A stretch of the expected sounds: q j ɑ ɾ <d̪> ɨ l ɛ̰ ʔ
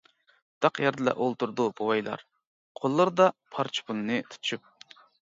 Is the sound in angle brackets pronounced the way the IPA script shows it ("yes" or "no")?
yes